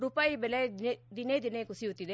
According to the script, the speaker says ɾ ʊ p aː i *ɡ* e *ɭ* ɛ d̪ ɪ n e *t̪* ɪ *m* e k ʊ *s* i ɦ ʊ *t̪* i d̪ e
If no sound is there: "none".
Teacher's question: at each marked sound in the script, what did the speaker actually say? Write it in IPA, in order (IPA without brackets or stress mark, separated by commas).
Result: b, l, d̪, n, s, t̪